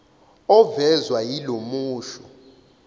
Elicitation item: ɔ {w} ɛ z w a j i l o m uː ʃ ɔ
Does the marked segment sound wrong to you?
yes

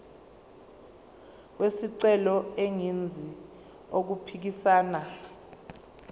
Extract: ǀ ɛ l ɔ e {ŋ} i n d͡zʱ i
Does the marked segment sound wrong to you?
no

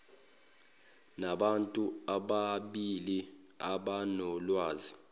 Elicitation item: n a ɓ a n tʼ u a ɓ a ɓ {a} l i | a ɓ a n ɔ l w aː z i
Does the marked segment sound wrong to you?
yes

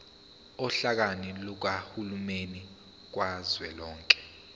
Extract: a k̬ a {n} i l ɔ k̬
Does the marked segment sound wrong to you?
no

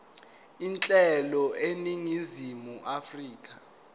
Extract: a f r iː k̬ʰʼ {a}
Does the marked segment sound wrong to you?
no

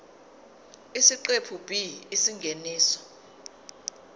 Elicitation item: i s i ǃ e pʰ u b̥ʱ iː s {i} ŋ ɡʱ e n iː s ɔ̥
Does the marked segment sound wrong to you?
no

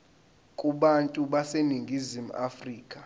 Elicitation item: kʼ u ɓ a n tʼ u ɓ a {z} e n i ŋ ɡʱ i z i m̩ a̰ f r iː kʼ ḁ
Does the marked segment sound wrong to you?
yes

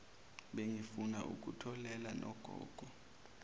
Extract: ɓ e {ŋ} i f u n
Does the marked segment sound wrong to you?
no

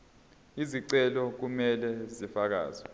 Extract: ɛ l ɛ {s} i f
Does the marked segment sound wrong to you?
yes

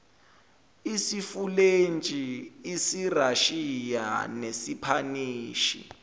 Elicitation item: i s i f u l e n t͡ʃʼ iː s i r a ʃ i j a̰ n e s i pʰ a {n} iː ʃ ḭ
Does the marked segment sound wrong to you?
no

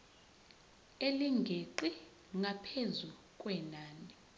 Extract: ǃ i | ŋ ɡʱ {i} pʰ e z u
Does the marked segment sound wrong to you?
yes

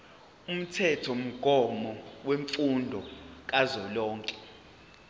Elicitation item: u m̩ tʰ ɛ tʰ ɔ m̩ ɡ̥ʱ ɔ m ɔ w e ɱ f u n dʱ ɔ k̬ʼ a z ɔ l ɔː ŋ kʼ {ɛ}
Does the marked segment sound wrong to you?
no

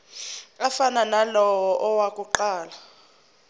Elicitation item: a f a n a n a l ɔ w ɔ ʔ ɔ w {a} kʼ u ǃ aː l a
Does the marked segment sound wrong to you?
no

